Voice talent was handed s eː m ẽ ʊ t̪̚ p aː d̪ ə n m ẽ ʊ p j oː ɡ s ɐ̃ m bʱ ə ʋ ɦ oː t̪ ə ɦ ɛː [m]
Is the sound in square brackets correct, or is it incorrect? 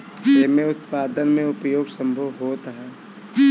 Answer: incorrect: none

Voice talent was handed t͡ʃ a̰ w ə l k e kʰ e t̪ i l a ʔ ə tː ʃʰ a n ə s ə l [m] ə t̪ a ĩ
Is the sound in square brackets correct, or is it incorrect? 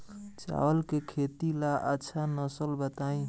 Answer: incorrect: b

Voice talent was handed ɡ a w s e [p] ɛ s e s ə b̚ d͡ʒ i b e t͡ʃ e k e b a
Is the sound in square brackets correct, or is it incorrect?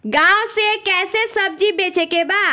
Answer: incorrect: k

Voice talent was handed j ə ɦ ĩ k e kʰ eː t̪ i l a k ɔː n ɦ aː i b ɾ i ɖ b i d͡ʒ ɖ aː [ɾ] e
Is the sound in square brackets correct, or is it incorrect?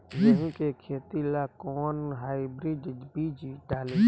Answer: incorrect: l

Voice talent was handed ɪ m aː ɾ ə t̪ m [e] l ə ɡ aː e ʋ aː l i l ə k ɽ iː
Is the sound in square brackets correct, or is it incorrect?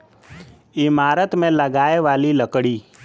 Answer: incorrect: ẽ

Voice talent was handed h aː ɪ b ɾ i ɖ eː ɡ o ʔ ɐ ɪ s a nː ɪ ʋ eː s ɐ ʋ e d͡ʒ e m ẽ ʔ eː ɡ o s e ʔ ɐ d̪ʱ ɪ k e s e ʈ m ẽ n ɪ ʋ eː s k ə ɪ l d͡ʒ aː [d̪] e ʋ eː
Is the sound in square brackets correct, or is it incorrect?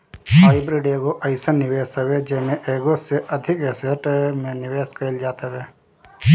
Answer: incorrect: t̪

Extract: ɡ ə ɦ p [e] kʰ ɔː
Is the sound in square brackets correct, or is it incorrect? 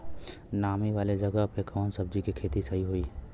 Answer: correct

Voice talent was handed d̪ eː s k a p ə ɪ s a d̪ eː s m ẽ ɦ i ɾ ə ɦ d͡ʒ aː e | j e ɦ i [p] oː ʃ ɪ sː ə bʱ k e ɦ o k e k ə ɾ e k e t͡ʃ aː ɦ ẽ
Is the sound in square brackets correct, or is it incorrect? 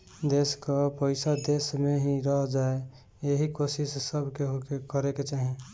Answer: incorrect: k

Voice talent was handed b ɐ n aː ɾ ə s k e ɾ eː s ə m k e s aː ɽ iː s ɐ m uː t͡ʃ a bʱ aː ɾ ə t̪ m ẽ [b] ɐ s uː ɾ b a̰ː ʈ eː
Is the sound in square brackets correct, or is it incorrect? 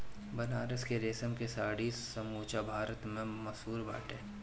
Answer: incorrect: m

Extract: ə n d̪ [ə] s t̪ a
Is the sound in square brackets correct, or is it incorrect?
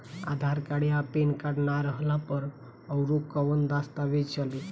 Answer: incorrect: a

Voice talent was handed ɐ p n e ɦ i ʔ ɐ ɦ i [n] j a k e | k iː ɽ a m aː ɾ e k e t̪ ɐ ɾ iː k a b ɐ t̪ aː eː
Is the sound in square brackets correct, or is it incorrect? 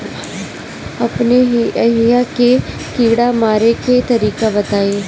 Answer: incorrect: none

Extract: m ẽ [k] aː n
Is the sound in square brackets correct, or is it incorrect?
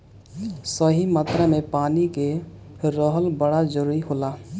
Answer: incorrect: p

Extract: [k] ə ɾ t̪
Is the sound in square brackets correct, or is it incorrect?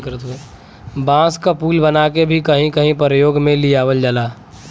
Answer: correct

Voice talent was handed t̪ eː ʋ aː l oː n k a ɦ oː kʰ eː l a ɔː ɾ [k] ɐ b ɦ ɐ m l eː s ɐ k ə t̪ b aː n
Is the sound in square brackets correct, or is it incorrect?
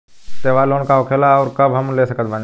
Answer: correct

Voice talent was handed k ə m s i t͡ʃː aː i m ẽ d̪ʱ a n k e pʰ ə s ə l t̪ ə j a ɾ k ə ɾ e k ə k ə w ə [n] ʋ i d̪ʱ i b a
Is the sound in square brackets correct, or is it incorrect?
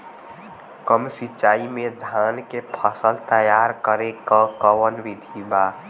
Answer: correct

